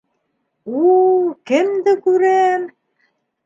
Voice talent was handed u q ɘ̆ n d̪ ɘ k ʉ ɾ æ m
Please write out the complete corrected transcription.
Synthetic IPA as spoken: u k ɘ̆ m d̪ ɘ k ʉ ɾ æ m